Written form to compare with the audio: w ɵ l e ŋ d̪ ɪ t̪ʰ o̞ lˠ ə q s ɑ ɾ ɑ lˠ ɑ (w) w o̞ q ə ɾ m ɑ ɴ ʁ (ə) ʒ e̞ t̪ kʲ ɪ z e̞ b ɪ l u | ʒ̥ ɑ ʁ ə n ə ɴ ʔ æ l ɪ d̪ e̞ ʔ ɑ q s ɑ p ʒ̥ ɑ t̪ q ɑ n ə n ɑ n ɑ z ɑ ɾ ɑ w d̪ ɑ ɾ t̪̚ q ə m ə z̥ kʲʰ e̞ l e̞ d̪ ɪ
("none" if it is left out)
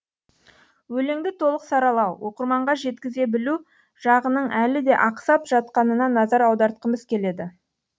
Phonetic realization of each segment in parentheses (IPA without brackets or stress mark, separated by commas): w, ɑ